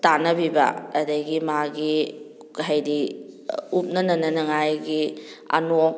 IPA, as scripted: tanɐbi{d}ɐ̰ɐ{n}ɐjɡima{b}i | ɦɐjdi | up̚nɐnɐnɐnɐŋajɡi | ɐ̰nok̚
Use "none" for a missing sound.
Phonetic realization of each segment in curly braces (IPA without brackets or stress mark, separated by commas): b, d, ɡ